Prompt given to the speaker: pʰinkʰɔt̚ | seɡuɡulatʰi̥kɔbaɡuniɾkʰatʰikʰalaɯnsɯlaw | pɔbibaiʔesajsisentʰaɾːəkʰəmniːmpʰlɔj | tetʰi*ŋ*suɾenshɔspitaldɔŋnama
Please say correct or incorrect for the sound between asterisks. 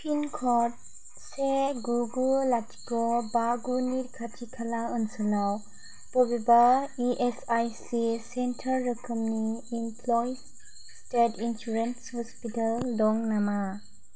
incorrect